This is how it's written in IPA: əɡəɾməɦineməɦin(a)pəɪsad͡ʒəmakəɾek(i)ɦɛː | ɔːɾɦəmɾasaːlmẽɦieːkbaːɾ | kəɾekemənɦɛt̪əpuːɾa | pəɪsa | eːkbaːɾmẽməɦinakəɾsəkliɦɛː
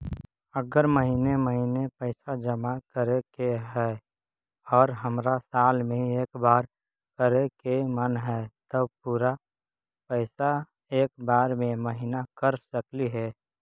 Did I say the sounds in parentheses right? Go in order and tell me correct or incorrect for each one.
incorrect: e, incorrect: e

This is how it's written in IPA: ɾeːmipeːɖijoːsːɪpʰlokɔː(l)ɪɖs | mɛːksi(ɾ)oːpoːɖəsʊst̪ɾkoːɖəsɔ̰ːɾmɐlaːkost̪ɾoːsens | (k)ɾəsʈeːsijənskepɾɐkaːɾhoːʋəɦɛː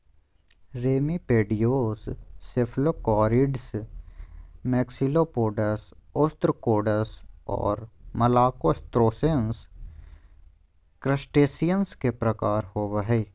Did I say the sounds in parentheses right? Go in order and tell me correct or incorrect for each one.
incorrect: ɾ, incorrect: l, correct

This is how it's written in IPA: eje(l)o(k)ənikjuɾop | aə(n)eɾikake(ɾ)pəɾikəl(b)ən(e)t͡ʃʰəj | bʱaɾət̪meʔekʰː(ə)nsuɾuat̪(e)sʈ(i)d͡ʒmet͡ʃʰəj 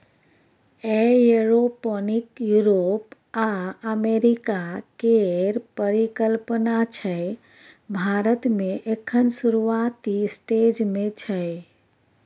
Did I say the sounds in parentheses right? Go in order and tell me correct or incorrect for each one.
incorrect: ɾ, incorrect: p, incorrect: m, correct, incorrect: p, incorrect: a, correct, incorrect: i, incorrect: e

